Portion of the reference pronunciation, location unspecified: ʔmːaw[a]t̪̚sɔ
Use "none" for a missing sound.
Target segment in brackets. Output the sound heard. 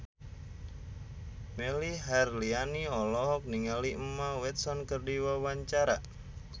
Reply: ɛ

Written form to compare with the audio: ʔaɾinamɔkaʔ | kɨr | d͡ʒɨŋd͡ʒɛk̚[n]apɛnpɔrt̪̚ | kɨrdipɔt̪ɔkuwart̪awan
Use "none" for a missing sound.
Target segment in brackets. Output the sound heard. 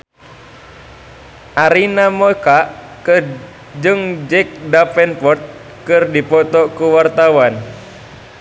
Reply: d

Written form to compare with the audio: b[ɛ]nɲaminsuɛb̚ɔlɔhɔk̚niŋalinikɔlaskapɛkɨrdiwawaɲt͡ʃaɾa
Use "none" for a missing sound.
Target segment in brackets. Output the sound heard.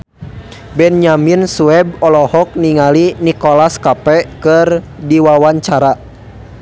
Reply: ɛ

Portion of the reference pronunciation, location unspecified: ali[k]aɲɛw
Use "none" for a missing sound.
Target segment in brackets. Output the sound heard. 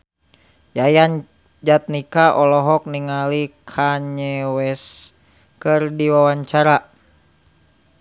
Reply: kʰ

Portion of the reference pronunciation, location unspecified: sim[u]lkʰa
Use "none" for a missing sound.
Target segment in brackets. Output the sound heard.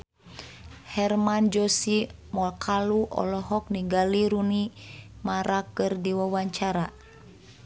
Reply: ɔ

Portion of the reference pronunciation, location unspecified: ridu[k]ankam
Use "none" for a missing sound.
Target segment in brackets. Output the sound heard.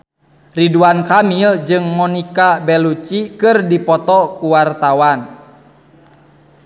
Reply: none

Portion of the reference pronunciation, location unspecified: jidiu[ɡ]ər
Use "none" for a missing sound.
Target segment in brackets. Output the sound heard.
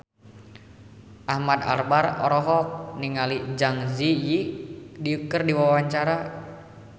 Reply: k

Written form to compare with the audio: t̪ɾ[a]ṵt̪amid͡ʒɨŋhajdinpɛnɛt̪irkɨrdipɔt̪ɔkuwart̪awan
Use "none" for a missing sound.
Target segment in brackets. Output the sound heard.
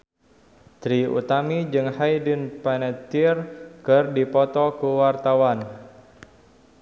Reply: i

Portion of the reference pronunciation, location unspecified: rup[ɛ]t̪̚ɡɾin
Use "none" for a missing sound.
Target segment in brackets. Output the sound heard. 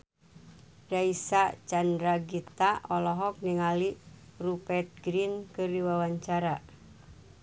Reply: ɛ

